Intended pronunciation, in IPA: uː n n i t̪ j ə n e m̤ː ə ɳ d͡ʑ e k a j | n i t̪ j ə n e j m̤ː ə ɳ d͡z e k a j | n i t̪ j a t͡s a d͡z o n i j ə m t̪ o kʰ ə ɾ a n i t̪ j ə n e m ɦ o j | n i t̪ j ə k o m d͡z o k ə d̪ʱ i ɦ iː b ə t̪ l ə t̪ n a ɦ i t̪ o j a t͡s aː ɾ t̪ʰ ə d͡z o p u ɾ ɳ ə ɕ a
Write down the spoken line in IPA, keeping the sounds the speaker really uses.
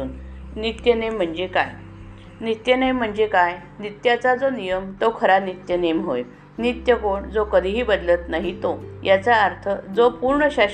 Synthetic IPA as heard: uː n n i t̪ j ə n e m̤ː ə ɳ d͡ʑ e k a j | n i t̪ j ə n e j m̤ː ə ɳ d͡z e k a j | n i t̪ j a t͡s a d͡z o n i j ə m t̪ o kʰ ə ɾ a n i t̪ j ə n e m ɦ o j | n i t̪ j ə k o ɳ d͡z o k ə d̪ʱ i ɦ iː b ə d̪ l ə t̪ n a ɦ i t̪ o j a t͡s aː ɾ t̪ʰ ə d͡z o p u ɾ ɳ ə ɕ a